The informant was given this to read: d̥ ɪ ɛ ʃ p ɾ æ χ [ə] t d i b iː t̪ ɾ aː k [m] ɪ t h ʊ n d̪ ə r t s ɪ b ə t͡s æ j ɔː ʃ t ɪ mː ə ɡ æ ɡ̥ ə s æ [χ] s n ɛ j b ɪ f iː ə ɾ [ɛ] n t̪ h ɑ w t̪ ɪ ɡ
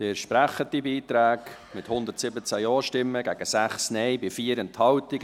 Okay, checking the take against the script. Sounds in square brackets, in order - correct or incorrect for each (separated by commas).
correct, correct, correct, correct